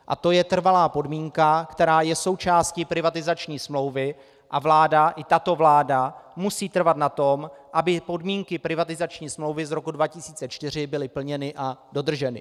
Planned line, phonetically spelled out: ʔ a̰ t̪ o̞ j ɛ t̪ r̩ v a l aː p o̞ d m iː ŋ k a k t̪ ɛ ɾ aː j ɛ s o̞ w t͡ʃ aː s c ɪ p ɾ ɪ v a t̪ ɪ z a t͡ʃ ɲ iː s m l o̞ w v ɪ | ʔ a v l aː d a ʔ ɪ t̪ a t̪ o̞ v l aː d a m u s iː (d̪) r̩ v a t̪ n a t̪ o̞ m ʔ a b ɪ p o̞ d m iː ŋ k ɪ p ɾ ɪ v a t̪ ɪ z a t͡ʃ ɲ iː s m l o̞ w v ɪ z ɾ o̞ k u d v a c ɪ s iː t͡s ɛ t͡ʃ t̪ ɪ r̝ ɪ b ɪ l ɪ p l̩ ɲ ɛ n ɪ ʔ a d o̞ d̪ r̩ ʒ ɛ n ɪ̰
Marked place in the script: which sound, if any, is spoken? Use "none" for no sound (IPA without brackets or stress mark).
t̪